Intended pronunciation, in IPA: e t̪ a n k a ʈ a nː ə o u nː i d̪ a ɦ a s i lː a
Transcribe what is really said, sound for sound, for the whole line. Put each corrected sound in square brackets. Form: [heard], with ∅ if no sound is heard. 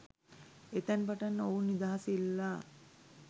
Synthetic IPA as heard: e t̪ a n [p] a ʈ a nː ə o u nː i d̪ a ɦ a s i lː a